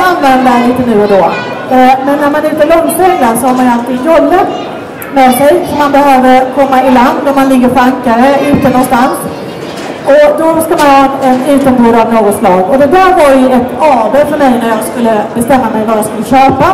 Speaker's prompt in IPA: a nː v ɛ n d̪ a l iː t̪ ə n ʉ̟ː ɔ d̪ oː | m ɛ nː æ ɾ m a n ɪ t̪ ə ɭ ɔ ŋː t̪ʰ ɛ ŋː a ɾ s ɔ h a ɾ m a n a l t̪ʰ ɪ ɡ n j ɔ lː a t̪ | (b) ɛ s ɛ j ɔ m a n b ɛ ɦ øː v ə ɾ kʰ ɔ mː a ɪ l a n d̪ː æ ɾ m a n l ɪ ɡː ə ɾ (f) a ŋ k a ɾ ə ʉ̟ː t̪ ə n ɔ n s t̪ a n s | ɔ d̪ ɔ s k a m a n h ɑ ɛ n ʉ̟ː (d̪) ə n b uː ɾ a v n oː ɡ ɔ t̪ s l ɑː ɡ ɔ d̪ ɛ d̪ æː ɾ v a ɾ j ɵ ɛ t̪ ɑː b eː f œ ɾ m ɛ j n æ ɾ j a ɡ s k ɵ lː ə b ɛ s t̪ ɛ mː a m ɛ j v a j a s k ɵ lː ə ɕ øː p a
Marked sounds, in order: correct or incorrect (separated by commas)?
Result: incorrect, correct, incorrect